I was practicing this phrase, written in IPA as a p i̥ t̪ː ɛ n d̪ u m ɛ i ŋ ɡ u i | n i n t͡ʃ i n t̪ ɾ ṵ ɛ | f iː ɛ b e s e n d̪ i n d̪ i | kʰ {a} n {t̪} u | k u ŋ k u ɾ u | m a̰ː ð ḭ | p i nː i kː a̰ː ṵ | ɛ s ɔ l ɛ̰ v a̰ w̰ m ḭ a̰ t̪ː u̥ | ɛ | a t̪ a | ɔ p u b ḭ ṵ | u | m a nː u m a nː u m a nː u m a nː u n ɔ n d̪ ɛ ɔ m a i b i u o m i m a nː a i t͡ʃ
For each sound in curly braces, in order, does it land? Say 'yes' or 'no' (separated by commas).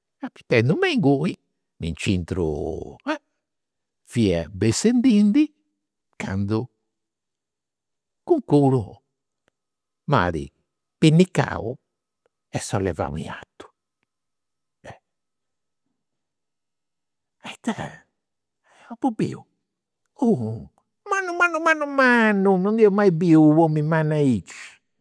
yes, no